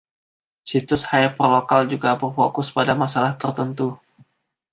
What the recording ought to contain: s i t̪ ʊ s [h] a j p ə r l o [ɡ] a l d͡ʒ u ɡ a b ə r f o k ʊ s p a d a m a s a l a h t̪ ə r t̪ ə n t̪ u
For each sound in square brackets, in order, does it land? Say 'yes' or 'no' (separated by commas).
yes, no